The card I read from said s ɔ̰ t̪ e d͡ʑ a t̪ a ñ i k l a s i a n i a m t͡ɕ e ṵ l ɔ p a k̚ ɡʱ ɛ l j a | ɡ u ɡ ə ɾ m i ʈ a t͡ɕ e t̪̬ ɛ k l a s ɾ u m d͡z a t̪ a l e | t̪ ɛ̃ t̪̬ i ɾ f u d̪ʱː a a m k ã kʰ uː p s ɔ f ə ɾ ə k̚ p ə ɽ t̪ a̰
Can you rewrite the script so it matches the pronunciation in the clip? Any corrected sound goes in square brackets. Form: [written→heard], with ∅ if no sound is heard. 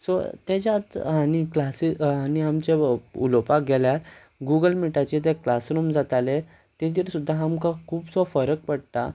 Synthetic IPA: s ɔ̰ t̪ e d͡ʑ a t̪ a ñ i k l a s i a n i a m t͡ɕ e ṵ l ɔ p a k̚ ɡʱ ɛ l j a | ɡ u ɡ ə [ɾ→l] m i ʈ a t͡ɕ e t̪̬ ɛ k l a s ɾ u m d͡z a t̪ a l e | t̪ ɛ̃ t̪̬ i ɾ [f→s] u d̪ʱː a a m k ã kʰ uː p s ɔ f ə ɾ ə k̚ p ə ɽ t̪ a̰